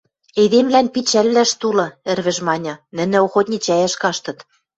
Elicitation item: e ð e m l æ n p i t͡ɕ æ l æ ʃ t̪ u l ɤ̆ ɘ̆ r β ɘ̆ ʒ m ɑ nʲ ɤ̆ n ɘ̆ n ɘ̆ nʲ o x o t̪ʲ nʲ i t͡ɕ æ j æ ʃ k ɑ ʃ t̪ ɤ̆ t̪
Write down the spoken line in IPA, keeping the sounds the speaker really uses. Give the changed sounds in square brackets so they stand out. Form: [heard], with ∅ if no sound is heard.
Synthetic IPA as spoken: e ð e m l æ n p i t͡ɕ æ [lː] æ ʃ t̪ u l ɤ̆ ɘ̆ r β ɘ̆ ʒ m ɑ nʲ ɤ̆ n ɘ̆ n ɘ̆ [∅] o x o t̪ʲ nʲ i t͡ɕ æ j æ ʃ k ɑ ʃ t̪ ɤ̆ t̪